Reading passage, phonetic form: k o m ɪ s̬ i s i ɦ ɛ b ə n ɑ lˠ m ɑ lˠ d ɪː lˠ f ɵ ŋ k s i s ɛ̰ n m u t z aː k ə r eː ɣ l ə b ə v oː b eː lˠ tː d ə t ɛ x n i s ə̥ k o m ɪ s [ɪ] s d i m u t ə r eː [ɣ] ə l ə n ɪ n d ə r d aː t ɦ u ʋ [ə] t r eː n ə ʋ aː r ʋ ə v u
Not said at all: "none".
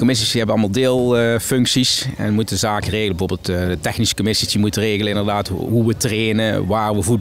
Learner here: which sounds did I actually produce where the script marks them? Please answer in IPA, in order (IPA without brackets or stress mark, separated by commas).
i, ɣ, ə